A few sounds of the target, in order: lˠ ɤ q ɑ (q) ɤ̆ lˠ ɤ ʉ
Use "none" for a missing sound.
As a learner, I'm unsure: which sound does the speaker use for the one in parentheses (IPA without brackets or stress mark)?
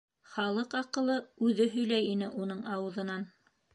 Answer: q